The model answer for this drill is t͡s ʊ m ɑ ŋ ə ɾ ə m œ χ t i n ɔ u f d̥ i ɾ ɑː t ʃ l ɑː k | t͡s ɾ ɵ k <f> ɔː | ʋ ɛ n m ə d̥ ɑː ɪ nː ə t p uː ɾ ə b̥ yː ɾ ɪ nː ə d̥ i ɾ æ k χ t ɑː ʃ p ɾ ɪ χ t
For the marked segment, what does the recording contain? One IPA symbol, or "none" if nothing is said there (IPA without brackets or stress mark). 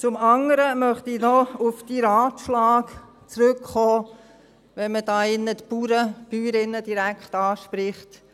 χ